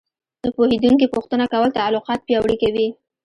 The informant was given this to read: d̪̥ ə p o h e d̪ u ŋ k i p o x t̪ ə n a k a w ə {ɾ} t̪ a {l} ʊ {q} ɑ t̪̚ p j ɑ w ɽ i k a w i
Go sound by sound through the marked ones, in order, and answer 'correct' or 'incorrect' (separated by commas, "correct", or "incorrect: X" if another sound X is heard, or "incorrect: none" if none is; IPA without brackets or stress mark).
incorrect: l, correct, correct